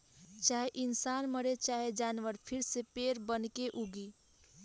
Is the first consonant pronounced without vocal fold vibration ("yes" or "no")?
yes